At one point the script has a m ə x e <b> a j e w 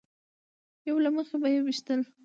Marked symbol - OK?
yes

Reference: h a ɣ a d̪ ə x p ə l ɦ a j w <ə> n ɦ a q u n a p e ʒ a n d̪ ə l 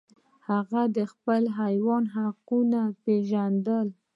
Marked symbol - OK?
no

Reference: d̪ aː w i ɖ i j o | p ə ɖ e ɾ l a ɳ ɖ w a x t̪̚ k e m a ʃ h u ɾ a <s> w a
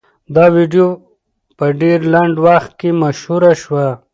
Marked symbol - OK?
no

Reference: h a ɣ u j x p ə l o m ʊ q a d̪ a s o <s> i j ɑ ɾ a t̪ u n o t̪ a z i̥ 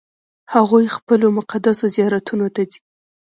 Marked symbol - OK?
no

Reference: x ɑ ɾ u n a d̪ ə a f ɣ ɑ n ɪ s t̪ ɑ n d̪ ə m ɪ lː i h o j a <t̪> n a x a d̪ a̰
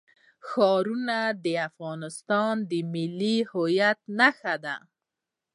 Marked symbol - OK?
yes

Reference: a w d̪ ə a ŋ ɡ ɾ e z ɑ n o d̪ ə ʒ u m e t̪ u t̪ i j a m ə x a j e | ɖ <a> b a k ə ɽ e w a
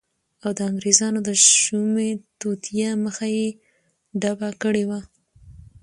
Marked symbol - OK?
yes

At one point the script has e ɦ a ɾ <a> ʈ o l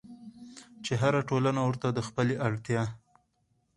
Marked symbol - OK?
yes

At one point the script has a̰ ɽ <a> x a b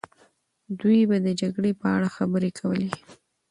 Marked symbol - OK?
yes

